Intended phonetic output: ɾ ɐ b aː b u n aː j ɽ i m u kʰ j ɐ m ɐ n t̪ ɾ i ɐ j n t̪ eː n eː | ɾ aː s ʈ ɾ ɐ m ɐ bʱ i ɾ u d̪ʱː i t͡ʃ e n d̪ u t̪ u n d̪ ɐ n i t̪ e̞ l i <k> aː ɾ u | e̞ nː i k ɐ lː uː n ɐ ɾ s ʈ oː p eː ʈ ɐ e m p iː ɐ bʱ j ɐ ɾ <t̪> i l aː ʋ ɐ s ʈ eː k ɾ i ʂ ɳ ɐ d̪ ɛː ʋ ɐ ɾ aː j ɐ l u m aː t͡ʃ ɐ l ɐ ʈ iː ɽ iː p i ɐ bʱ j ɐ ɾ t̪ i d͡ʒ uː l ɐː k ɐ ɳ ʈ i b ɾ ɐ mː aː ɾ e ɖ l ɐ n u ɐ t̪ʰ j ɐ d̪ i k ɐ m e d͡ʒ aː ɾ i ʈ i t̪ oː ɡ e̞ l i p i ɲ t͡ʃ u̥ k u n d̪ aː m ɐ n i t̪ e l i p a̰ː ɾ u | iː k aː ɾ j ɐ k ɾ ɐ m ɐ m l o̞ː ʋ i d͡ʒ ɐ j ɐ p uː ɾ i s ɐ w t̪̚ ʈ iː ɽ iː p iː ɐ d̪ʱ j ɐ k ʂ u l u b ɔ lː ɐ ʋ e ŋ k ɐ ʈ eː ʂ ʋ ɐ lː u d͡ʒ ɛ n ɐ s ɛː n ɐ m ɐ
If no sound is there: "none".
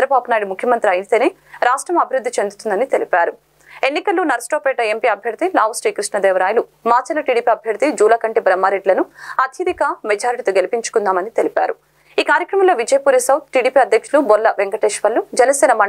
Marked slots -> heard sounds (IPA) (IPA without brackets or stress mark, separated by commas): p, t̪